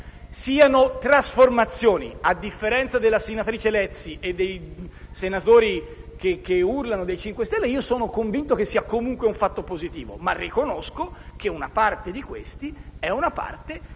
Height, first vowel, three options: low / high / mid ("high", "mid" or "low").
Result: high